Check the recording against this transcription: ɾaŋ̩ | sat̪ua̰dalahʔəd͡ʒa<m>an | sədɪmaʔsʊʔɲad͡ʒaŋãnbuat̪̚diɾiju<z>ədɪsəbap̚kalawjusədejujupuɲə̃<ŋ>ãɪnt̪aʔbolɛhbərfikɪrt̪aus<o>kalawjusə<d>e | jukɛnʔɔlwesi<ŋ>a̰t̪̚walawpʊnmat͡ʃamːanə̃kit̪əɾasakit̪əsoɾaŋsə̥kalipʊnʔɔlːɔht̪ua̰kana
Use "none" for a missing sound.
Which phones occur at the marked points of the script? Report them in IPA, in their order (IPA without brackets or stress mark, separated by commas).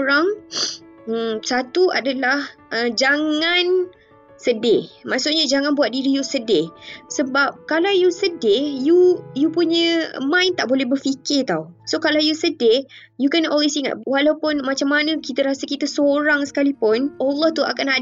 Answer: ŋ, s, m, o, d, ŋ